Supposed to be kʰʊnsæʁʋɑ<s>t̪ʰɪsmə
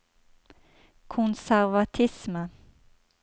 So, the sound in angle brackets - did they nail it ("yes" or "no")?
no